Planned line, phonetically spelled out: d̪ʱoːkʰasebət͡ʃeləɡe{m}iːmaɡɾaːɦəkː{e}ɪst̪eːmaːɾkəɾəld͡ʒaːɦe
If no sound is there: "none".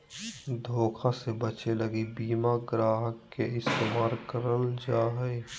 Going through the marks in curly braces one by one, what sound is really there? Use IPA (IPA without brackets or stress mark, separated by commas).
b, e